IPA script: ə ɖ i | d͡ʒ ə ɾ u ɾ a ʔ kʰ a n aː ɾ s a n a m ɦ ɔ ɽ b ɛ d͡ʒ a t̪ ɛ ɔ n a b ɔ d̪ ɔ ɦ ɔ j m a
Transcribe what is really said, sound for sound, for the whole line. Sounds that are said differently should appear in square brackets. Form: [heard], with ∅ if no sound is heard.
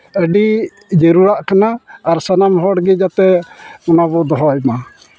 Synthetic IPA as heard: ə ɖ i | d͡ʒ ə ɾ u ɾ a ʔ [k] a n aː ɾ s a n a m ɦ ɔ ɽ [ɡ] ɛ d͡ʒ a t̪ ɛ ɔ n a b ɔ d̪ ɔ ɦ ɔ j m a